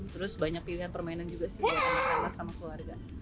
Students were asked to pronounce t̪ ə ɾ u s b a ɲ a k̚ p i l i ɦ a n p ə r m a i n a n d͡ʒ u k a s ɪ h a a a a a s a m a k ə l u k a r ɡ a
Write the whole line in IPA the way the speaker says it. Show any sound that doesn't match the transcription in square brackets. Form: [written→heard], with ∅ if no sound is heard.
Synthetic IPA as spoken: t̪ ə ɾ [u→ʊ] s b a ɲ a k̚ p i l i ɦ a n p ə r m a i n a n d͡ʒ u [k→ɡ] a s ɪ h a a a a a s a m a k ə l u [k→∅] a r ɡ a

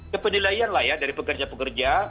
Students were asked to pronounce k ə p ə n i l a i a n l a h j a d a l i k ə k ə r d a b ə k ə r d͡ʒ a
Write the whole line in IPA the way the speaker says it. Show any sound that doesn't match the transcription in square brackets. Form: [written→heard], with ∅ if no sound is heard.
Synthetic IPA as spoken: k ə p ə n i l a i a n l a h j a d a [l→ɾ] i [k→p] ə k ə r [d→d͡ʒ] a [b→p] ə k ə r d͡ʒ a

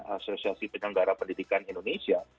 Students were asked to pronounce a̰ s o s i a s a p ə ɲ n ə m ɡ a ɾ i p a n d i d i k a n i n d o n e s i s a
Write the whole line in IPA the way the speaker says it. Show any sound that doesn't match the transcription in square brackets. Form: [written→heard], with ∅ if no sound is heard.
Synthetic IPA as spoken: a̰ s o s i a s [a→i] p ə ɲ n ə [m→ŋ] ɡ a ɾ [i→a] p [a→ə] n d i d i k a n i n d o n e s i [s→∅] a

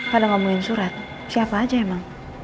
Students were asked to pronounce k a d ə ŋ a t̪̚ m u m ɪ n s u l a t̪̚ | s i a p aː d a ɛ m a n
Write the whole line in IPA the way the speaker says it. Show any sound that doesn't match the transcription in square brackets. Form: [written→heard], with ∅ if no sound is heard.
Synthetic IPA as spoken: k a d [ə→a] ŋ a [t̪̚→∅] m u [m→ŋ] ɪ n s u [l→ɾ] a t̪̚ | s i a p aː [d→d͡ʒ] a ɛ m a [n→ŋ]

